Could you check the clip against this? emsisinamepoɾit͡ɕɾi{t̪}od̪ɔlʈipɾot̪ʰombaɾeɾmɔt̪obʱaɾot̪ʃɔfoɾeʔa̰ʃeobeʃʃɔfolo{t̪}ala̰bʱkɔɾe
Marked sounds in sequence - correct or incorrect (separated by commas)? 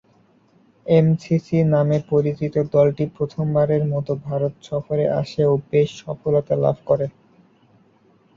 correct, correct